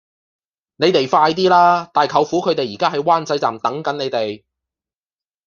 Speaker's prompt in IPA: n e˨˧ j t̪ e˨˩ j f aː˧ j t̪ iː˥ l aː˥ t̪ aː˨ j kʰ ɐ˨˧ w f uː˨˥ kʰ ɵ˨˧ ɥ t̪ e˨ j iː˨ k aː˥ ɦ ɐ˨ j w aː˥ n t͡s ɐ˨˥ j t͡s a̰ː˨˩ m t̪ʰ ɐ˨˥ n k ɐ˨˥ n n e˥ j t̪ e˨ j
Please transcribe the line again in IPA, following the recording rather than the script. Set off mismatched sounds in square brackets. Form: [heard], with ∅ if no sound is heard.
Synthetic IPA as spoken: n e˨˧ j t̪ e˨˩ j f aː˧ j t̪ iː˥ l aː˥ t̪ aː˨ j kʰ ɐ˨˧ w f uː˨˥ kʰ ɵ˨˧ ɥ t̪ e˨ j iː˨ k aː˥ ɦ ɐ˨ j w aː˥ n t͡s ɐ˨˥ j t͡s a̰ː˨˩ m [t̪] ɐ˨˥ [ŋ] k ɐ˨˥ n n [e˨˧] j t̪ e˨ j